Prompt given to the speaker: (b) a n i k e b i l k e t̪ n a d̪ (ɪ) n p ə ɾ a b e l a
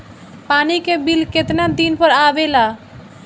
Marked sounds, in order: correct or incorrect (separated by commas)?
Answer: incorrect, incorrect